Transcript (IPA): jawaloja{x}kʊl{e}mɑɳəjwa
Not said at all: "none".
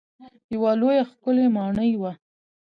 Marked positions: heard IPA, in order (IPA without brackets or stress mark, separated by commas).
x, e